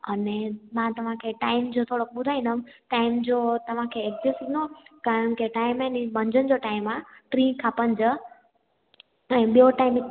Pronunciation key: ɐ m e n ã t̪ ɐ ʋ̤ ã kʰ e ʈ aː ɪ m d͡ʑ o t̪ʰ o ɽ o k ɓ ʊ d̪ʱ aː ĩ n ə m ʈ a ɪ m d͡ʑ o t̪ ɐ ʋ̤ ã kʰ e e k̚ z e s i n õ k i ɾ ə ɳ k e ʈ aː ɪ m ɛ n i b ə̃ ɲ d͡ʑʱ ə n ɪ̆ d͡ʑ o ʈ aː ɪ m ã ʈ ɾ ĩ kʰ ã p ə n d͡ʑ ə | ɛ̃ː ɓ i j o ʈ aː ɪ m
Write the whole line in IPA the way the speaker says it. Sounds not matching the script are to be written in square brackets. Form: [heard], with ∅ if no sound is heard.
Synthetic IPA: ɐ [n] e [m] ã t̪ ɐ ʋ̤ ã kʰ e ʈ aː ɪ m d͡ʑ o t̪ʰ o ɽ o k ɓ ʊ d̪ʱ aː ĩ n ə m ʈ a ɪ m d͡ʑ o t̪ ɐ ʋ̤ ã kʰ e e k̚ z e s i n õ k [a] ɾ ə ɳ k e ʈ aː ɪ m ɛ n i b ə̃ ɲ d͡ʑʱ ə n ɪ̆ d͡ʑ o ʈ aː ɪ m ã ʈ ɾ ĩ kʰ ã p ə n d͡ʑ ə | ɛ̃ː ɓ i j o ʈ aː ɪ m

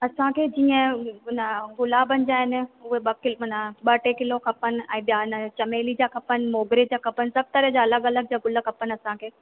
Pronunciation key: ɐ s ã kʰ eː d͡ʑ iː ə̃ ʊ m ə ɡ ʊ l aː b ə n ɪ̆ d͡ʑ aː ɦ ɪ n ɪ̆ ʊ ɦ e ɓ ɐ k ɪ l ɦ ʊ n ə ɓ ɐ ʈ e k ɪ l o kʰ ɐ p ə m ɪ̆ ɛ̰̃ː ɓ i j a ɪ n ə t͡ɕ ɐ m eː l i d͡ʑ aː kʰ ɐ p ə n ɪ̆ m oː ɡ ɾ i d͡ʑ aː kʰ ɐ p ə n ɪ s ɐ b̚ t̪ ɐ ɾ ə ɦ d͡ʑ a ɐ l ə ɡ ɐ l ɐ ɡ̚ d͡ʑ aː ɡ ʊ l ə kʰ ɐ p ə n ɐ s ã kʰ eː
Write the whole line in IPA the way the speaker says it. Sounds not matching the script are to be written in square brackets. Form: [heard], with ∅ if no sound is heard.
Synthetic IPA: ɐ s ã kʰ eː d͡ʑ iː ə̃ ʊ [n] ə ɡ ʊ l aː b ə n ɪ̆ d͡ʑ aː ɦ ɪ n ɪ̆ ʊ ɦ e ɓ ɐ k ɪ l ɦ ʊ n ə ɓ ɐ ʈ e k ɪ l o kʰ ɐ p ə [n] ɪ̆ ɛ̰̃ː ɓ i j a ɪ n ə t͡ɕ ɐ m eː l i d͡ʑ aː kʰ ɐ p ə n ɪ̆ m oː ɡ ɾ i d͡ʑ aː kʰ ɐ p ə n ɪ s ɐ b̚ t̪ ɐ ɾ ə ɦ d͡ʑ a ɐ l ə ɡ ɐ l [ə] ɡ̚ d͡ʑ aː ɡ ʊ l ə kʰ ɐ p ə n ɐ s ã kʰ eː

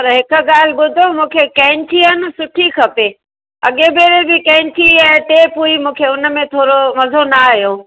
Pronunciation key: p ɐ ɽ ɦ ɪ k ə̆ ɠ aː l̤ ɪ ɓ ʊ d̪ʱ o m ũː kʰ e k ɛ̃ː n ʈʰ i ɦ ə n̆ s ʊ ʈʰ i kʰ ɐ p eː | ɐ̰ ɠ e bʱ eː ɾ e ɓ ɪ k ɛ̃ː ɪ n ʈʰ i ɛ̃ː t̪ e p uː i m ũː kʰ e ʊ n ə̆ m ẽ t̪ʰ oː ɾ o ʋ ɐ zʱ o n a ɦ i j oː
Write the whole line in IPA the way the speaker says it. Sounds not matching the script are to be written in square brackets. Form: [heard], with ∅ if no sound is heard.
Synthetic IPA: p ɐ [ɾ] ɦ ɪ k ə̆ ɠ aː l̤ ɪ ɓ ʊ d̪ʱ o m ũː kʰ e k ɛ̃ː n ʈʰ i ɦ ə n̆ s ʊ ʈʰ i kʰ ɐ p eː | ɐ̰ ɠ e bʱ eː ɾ e [b] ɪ k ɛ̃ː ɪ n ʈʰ i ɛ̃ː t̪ e p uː i m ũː kʰ e ʊ n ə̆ m ẽ t̪ʰ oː ɾ o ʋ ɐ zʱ o n a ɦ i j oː

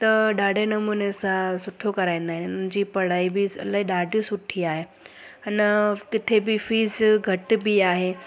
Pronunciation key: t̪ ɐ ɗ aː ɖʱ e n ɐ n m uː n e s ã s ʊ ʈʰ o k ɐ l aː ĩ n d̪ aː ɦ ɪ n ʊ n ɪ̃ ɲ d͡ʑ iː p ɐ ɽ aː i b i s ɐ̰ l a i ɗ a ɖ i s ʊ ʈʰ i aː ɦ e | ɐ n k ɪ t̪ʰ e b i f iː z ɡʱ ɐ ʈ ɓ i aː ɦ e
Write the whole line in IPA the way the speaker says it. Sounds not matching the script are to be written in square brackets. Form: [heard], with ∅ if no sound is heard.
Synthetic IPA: t̪ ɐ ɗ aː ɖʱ e n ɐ [∅] m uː n e s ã s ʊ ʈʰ o k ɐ [ɾ] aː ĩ n d̪ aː ɦ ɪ n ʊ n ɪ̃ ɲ d͡ʑ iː p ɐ ɽ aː i b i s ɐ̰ l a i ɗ a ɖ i s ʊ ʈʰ i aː ɦ e | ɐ n k ɪ t̪ʰ e b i f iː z ɡʱ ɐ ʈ [b] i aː ɦ e

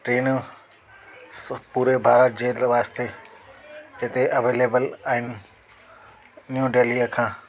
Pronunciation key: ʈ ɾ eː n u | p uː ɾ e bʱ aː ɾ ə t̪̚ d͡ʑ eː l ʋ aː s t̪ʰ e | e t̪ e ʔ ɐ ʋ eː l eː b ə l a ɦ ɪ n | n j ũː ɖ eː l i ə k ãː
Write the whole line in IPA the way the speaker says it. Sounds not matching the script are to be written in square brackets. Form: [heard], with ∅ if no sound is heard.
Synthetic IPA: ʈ ɾ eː n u | p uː ɾ e bʱ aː ɾ ə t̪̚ d͡ʑ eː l ʋ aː s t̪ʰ e | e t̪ e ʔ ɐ ʋ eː l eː b ə l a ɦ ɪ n | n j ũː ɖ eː l i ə [kʰ] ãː

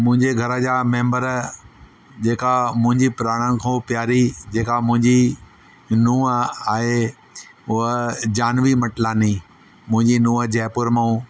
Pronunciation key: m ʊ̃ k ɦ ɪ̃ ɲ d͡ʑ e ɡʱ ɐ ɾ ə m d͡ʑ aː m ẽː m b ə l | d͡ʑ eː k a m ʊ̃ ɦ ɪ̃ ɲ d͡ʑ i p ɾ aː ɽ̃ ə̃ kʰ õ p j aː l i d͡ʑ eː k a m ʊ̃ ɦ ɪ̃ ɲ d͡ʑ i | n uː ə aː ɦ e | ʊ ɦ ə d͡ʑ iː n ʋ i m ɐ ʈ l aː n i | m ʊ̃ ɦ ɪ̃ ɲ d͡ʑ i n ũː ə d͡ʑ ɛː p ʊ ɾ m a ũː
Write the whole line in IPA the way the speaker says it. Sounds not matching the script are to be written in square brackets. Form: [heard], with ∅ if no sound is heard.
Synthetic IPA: m ʊ̃ [∅] ɦ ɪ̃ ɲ d͡ʑ e ɡʱ ɐ ɾ ə [∅] d͡ʑ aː m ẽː m b ə [ɾ] | d͡ʑ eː k a m ʊ̃ ɦ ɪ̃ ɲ d͡ʑ i p ɾ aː ɽ̃ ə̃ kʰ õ p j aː [ɾ] i d͡ʑ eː k a m ʊ̃ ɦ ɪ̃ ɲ d͡ʑ i | n uː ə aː ɦ e | ʊ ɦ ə d͡ʑ [aː] n ʋ i m ɐ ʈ l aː n i | m ʊ̃ ɦ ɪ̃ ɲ d͡ʑ i n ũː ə d͡ʑ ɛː p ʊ ɾ m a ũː

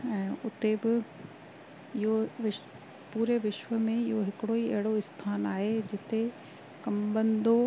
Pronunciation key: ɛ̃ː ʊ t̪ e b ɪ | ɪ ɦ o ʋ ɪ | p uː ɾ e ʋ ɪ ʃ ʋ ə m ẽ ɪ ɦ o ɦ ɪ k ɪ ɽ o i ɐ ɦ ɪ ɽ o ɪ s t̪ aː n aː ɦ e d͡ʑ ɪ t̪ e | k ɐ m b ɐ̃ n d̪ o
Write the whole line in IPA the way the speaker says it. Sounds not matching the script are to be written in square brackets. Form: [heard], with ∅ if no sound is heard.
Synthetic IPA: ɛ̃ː ʊ t̪ e b ɪ | ɪ ɦ o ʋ ɪ | p uː ɾ e ʋ ɪ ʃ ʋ ə m ẽ ɪ ɦ o ɦ ɪ k ɪ ɽ o i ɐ ɦ ɪ ɽ o ɪ s [t̪ʰ] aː n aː ɦ e d͡ʑ ɪ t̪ e | k ɐ m b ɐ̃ n d̪ o

